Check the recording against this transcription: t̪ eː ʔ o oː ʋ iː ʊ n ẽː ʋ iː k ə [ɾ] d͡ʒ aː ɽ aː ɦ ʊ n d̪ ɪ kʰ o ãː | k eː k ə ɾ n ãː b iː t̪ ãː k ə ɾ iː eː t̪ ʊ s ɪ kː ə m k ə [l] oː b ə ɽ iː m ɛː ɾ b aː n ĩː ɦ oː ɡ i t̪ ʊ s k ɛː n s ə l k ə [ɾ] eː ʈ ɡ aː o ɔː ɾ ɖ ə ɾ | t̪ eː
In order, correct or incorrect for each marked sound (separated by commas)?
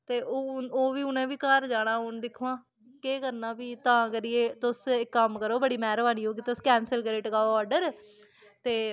correct, incorrect, correct